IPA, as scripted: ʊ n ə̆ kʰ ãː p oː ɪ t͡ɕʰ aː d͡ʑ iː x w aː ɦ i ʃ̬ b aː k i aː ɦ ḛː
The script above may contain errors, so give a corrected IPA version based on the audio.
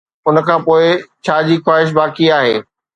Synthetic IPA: ʊ n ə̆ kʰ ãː p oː ɪ t͡ɕʰ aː d͡ʑ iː x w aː ɦ ɪ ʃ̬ b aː k i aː ɦ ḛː